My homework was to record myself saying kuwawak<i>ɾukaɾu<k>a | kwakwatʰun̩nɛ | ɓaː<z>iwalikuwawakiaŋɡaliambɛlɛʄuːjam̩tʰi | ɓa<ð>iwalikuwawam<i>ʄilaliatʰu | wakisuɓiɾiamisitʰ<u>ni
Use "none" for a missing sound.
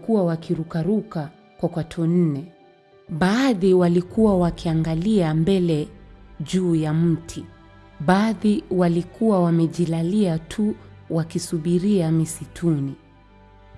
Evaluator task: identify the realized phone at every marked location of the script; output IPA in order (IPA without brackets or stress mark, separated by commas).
i, k, ð, ð, ɛ, u